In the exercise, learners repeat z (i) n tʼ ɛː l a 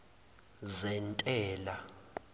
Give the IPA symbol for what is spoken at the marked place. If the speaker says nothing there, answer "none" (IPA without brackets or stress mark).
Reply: ɛ